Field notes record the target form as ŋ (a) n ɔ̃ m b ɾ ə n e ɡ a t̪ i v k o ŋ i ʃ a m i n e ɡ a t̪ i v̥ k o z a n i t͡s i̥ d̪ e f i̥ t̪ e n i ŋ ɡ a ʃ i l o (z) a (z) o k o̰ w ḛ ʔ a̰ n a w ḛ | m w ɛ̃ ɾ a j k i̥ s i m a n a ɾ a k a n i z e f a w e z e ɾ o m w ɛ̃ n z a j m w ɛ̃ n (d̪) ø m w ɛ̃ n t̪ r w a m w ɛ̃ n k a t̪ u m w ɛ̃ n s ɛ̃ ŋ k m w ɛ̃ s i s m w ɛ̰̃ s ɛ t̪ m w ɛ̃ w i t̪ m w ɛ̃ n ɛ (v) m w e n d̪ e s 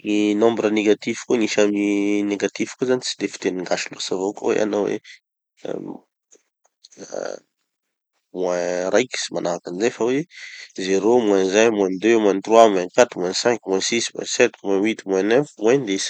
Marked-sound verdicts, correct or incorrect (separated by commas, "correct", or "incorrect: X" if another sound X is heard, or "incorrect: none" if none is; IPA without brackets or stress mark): incorrect: i, incorrect: s, incorrect: v, correct, incorrect: f